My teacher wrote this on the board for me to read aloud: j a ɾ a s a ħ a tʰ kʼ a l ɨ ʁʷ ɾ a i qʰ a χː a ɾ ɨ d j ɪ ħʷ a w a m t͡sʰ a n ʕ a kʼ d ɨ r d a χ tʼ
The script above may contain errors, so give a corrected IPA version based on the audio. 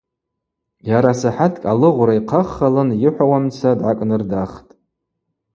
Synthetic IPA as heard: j a ɾ a s a ħ a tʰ kʼ a l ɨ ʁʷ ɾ a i qʰ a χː a l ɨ n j ɪ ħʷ a w a m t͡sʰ a d ʕ a kʼ n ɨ r d a χ tʼ